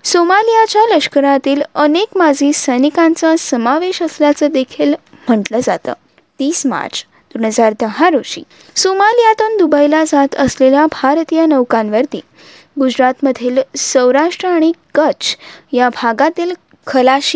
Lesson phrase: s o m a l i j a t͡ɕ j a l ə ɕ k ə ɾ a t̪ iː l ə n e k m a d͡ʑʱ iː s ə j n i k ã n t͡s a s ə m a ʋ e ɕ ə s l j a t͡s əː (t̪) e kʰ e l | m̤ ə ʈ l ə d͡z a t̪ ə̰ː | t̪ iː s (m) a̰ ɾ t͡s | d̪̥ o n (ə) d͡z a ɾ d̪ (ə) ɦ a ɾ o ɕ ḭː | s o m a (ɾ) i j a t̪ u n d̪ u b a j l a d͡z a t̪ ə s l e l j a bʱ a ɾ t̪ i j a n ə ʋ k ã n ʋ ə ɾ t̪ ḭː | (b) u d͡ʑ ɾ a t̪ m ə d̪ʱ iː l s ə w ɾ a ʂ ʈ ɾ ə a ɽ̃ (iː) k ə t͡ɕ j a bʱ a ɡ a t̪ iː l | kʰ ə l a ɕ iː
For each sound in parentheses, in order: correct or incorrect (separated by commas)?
incorrect, correct, correct, correct, incorrect, incorrect, incorrect